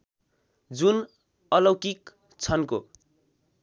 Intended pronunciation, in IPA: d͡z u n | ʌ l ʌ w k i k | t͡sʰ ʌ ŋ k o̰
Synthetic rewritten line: d͡z u n | ʌ l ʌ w k i k | t͡sʰ ʌ n k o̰